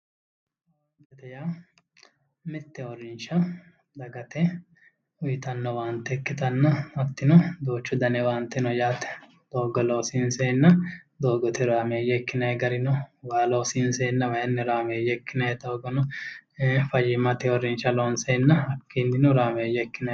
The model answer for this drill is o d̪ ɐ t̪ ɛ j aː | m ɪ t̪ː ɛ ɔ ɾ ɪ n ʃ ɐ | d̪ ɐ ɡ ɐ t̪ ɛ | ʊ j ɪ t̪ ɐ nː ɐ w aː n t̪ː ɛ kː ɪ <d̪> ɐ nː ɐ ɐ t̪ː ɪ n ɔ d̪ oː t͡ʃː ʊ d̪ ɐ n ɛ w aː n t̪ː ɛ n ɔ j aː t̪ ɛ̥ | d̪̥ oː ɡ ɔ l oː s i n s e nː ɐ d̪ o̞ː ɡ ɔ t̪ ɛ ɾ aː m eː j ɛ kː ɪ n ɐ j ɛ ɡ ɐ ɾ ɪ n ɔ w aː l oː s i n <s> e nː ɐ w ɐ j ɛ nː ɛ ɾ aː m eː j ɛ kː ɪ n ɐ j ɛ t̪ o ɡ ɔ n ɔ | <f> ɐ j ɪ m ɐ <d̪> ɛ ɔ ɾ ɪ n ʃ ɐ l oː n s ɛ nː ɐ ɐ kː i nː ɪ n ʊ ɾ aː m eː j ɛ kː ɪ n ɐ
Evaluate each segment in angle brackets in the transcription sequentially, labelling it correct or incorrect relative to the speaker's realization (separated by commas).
incorrect, correct, correct, incorrect